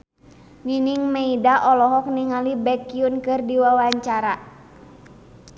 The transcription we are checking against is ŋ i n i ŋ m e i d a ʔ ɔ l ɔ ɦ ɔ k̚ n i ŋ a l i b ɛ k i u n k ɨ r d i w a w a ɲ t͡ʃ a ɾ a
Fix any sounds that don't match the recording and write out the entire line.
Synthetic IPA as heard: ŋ i n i ŋ m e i d a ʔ ɔ l ɔ ɦ ɔ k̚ n i ŋ a l i b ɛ k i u n k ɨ r d i w a w a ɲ t͡ʃ a ɾ a